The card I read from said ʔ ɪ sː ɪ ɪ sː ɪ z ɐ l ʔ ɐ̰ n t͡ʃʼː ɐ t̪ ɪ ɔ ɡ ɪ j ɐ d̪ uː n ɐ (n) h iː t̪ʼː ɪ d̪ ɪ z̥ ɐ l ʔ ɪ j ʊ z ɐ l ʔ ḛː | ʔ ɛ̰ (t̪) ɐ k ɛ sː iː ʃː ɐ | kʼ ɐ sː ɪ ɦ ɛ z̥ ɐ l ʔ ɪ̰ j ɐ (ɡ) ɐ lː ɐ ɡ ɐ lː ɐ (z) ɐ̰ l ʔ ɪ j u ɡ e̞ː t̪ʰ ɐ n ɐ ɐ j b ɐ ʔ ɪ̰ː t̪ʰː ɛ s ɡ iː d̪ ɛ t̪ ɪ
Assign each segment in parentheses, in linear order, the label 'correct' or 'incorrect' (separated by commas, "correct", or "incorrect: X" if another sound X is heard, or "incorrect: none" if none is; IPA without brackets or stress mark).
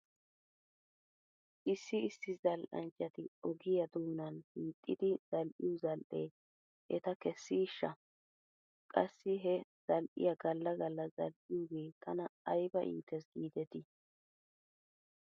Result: correct, correct, correct, correct